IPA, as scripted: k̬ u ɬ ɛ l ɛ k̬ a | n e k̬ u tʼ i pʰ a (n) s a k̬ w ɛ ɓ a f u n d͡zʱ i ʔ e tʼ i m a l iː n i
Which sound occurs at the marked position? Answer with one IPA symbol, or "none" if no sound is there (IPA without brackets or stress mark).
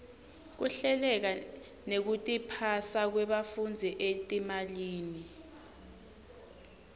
none